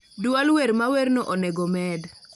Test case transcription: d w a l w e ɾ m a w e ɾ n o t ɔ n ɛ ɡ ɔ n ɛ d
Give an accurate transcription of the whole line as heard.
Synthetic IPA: d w a l w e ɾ m a w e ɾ n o ʔ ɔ n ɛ ɡ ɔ m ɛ d